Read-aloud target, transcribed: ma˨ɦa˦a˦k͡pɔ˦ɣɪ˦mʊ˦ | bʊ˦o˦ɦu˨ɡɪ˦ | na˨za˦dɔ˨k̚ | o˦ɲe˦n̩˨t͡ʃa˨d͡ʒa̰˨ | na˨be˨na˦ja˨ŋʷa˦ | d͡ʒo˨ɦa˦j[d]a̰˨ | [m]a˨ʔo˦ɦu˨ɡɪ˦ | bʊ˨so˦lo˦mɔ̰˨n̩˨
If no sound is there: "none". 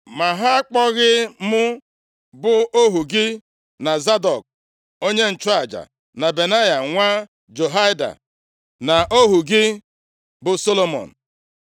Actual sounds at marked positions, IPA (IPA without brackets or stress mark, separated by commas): d, n